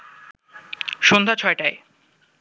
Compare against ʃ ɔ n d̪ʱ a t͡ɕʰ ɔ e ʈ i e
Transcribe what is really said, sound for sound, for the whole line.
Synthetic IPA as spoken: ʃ o n d̪ʱ a t͡ɕʰ ɔ e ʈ a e